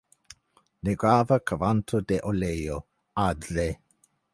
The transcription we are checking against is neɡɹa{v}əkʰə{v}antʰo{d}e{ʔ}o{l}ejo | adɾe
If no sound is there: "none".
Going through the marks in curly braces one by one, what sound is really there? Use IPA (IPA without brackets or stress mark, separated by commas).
v, v, d, ʔ, l